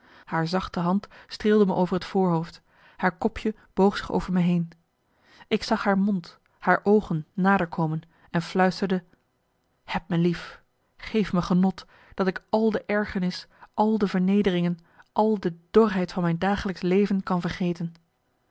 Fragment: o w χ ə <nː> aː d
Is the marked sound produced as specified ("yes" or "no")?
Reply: yes